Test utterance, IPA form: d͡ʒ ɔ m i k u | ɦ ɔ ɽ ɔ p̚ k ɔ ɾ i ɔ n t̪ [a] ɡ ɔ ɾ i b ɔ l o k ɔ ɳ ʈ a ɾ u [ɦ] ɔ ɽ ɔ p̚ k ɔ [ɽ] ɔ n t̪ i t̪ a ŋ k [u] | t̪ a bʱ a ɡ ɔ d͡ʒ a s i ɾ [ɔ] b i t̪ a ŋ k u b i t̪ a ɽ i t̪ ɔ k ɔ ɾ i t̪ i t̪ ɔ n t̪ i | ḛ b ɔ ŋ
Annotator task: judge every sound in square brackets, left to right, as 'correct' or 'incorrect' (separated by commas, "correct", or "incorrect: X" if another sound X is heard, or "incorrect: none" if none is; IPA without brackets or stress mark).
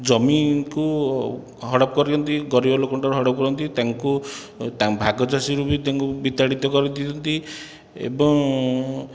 incorrect: i, correct, incorrect: ɾ, correct, incorrect: u